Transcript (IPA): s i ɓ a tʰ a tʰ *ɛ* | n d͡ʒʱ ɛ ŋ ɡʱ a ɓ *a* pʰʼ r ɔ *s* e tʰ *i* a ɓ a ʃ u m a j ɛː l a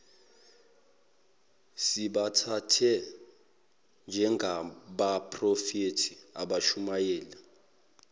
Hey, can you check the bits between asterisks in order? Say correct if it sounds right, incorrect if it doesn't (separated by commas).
correct, correct, incorrect, correct